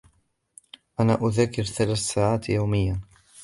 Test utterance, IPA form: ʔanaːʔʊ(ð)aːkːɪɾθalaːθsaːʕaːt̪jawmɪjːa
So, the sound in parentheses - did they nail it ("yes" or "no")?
yes